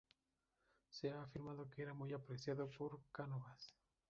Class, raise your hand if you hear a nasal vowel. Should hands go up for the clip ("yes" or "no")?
no